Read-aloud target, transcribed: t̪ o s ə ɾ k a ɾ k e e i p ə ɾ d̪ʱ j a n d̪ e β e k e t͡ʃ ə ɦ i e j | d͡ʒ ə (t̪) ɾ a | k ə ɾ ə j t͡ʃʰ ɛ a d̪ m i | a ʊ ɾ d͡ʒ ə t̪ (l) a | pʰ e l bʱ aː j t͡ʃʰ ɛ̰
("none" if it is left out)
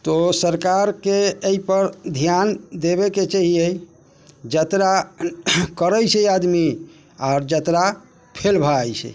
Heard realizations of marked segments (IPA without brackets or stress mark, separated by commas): t̪, ɾ